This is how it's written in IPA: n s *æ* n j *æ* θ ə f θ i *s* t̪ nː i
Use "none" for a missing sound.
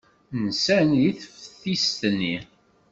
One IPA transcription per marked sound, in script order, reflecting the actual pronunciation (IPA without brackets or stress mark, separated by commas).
æ, i, s